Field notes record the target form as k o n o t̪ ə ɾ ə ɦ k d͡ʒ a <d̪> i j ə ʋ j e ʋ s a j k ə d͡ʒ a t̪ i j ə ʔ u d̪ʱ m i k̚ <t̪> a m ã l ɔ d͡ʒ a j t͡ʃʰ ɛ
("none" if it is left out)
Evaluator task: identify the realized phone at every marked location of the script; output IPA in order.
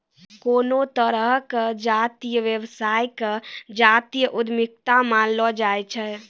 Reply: t̪, t̪

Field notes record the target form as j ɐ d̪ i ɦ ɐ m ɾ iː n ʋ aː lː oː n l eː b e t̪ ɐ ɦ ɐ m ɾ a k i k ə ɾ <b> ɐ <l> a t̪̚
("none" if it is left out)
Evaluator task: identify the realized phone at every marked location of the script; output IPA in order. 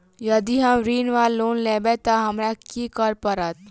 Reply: p, ɾ

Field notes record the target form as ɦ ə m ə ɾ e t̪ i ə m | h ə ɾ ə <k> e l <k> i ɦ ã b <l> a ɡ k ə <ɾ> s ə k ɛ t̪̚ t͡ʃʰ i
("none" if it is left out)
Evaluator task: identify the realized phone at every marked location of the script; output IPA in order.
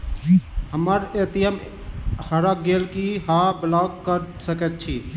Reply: ɡ, k, l, ɾ

